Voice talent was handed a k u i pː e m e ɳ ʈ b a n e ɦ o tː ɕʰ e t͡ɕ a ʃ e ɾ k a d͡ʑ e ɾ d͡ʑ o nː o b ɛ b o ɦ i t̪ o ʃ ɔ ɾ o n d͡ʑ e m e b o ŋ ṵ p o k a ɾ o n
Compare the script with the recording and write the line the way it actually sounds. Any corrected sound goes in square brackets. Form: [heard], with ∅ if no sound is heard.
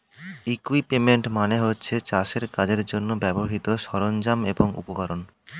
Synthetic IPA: [i] k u i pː e m e ɳ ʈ [m] a n e ɦ o tː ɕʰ e t͡ɕ a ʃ e ɾ k a d͡ʑ e ɾ d͡ʑ o nː o b ɛ b o ɦ i t̪ o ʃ ɔ ɾ o n d͡ʑ [a] m e b o ŋ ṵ p o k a ɾ o n